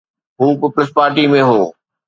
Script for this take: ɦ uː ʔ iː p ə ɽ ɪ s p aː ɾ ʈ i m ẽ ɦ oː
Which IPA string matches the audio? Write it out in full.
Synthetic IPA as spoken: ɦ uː p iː p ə l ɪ s p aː ɾ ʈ i m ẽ ɦ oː